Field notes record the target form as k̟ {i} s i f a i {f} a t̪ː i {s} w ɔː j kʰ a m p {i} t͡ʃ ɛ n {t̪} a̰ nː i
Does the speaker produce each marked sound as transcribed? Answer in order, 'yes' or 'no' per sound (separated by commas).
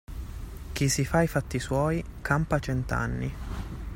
yes, yes, yes, no, yes